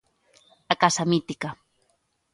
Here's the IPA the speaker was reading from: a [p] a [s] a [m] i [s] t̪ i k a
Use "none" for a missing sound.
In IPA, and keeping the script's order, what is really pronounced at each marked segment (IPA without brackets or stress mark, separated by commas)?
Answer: k, s, m, none